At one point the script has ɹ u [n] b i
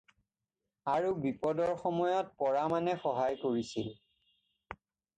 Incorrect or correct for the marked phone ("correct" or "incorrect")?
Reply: incorrect